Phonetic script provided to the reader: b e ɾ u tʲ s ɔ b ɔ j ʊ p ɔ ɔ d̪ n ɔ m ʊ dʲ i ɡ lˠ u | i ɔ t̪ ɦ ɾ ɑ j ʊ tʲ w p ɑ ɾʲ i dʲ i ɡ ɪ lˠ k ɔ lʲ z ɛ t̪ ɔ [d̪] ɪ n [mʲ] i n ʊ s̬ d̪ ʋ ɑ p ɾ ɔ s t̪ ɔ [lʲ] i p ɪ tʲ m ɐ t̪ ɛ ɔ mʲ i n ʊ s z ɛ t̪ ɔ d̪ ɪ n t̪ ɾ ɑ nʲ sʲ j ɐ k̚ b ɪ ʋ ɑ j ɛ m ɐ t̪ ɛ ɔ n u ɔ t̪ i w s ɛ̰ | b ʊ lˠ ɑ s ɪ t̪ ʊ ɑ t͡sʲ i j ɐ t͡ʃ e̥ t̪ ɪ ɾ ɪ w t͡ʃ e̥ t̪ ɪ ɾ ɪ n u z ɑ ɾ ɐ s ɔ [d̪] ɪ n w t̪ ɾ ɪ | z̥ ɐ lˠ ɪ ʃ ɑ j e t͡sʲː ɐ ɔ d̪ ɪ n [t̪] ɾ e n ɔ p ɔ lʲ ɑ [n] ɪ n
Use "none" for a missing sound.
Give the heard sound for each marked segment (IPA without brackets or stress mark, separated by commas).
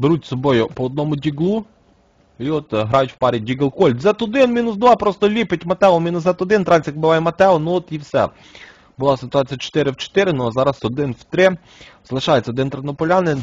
d̪, mʲ, lʲ, d̪, t̪, n